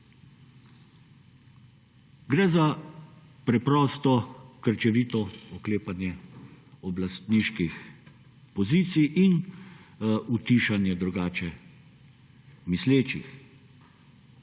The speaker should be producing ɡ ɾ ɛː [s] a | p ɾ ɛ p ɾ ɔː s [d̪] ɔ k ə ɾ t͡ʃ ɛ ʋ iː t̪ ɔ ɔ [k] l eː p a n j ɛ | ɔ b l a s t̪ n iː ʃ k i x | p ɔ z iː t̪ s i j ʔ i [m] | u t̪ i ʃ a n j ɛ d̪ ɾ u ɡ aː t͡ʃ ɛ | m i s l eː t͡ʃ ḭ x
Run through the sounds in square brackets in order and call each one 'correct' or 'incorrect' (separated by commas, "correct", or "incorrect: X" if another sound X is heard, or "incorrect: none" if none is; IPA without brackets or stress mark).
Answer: incorrect: z, incorrect: t̪, correct, incorrect: n